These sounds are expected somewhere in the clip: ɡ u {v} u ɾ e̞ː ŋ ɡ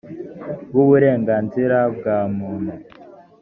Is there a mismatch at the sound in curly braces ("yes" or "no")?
yes